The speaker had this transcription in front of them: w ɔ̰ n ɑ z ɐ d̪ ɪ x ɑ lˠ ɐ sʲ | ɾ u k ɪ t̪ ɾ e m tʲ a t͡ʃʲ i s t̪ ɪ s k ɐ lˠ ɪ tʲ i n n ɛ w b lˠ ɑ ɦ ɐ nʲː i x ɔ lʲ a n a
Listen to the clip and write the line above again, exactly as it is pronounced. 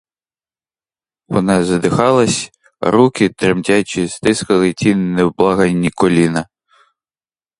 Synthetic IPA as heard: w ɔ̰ n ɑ z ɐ d̪ ɪ x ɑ lˠ ɐ sʲ | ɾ u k ɪ t̪ ɾ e m tʲ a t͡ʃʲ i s t̪ ɪ s k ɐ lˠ ɪ tʲ i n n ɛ w b lˠ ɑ ɦ ɐ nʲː i k ɔ lʲ i n ɐ